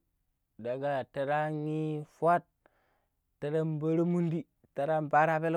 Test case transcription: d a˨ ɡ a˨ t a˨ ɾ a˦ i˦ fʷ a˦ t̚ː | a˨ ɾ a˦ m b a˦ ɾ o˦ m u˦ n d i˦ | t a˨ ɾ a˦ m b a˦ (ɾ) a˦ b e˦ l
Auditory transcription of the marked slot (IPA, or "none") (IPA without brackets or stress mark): ɾ